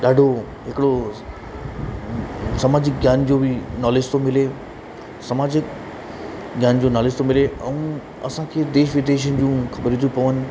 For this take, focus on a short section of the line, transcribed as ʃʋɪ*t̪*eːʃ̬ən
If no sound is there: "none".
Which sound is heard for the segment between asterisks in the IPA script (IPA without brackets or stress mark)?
d̪